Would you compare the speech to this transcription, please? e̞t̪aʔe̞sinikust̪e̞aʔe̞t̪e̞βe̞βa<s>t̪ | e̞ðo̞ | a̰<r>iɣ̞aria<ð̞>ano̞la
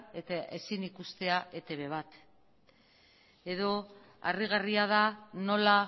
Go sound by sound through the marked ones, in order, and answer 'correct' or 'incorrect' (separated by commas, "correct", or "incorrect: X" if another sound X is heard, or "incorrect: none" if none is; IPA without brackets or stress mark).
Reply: incorrect: none, correct, correct